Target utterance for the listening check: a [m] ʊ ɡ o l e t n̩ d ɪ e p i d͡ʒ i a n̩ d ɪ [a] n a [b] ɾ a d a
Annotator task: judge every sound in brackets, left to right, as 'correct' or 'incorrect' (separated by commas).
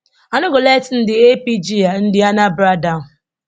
incorrect, correct, correct